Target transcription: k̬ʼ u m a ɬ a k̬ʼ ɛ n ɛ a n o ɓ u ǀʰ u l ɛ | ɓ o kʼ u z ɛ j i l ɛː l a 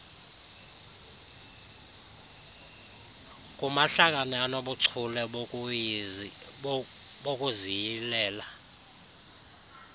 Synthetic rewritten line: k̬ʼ u m a ɬ a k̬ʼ a n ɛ a n o ɓ u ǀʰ u l ɛ | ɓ o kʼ u z i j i l ɛː l a